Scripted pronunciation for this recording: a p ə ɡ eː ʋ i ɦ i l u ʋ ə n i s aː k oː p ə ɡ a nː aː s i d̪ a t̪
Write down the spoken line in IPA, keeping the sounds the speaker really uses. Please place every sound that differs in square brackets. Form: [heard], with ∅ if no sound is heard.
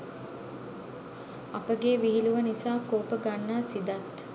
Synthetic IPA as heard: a p ə ɡ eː ʋ i ɦ i l u ʋ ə n i s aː k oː p ə ɡ a nː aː s i d̪ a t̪